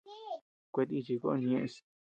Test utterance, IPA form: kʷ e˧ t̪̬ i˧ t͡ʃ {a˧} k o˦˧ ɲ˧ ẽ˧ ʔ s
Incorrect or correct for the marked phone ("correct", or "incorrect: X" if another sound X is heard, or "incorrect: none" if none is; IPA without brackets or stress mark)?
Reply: incorrect: i˧